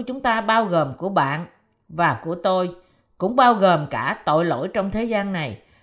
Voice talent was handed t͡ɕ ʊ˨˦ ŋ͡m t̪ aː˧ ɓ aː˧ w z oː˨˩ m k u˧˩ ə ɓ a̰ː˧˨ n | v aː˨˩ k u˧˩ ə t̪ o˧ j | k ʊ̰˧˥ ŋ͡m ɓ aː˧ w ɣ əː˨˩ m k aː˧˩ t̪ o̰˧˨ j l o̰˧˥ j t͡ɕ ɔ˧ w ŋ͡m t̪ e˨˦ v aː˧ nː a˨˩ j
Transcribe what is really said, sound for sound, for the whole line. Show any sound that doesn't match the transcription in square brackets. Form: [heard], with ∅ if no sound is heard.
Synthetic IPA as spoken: t͡ɕ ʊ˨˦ ŋ͡m t̪ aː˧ ɓ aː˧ w [ɣ] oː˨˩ m k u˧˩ ə ɓ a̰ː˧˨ n | v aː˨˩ k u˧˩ ə t̪ o˧ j | k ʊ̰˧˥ ŋ͡m ɓ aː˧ w ɣ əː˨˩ m k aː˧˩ t̪ o̰˧˨ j l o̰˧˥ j t͡ɕ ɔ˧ w ŋ͡m [t̪ʰ] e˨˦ [z] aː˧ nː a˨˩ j